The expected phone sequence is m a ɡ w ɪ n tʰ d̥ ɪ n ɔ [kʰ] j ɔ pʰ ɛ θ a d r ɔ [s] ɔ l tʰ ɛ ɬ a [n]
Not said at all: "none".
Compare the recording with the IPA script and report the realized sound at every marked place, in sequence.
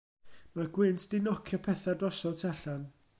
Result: kʰ, s, n

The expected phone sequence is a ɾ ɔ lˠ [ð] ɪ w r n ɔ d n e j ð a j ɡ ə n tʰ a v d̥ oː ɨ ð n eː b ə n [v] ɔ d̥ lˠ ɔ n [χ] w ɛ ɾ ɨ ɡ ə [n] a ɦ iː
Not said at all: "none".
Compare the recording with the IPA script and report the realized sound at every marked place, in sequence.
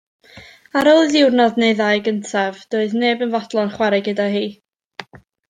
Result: ð, v, χ, d

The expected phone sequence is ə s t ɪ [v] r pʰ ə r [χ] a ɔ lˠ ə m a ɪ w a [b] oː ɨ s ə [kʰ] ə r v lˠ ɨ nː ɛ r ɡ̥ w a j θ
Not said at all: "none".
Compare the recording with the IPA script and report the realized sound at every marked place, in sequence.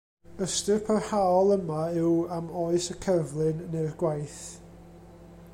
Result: none, h, m, kʰ

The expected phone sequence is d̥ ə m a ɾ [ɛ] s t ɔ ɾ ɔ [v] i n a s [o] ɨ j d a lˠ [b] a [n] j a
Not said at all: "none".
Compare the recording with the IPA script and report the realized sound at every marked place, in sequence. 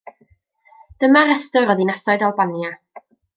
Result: ɛ, ð, ɔ, b, n

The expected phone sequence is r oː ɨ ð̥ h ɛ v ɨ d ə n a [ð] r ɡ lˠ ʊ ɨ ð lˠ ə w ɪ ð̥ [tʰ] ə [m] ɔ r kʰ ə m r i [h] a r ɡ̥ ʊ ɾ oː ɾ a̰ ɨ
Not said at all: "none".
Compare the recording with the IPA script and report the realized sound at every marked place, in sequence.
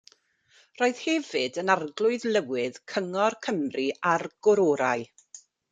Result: none, kʰ, ŋ, none

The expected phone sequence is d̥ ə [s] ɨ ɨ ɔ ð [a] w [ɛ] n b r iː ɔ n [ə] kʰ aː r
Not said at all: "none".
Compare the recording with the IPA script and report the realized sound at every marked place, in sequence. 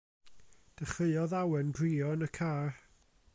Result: χ, a, ɛ, ə

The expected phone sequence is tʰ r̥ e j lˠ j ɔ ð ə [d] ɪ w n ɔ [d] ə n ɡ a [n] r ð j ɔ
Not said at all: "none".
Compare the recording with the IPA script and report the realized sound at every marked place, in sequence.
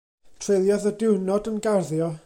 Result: d, d, none

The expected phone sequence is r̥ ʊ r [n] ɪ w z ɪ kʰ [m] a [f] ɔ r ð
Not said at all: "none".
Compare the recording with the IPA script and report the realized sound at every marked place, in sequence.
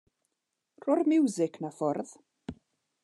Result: m, n, f

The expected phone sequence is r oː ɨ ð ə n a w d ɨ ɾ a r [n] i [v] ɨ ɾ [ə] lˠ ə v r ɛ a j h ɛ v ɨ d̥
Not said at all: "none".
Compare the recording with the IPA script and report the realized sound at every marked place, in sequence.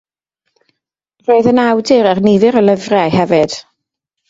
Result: n, v, ə

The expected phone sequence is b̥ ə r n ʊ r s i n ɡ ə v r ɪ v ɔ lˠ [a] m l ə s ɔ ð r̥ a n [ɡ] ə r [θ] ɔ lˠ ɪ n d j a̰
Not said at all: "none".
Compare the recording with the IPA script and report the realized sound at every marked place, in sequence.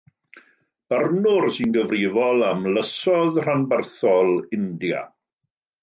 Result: a, b, θ

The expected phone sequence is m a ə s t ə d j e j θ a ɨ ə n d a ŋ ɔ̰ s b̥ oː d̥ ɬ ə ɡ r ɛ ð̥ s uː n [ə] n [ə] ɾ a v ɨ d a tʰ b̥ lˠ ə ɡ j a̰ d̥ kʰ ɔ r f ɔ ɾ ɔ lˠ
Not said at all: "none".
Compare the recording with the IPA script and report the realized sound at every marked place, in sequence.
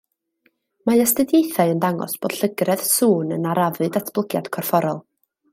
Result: ə, a

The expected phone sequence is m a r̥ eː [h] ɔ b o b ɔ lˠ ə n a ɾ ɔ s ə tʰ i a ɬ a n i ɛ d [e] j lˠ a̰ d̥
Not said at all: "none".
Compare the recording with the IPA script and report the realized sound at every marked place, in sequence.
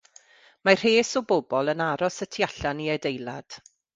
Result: s, e

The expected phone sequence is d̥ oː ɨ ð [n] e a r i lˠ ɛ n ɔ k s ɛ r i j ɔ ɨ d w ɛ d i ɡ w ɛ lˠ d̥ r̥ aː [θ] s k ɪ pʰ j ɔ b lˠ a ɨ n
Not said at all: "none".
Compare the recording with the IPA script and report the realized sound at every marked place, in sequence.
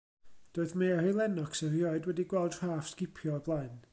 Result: m, f

